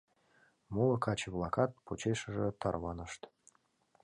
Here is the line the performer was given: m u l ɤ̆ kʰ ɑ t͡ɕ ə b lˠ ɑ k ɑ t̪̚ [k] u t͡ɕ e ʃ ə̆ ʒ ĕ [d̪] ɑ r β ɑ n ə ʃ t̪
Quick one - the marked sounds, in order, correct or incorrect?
incorrect, incorrect

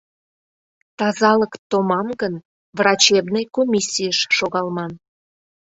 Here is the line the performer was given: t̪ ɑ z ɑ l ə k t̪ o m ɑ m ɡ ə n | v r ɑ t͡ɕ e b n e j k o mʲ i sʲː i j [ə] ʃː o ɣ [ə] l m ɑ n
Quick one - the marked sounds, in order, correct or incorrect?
correct, incorrect

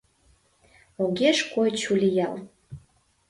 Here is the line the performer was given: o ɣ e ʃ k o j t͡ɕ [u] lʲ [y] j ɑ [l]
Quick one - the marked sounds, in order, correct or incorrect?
correct, incorrect, correct

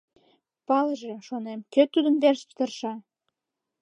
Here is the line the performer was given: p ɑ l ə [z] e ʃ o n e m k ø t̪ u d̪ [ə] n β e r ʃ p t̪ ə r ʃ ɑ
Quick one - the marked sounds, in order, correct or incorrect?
incorrect, correct

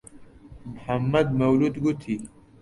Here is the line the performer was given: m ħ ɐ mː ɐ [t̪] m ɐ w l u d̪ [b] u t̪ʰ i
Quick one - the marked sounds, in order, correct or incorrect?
incorrect, incorrect

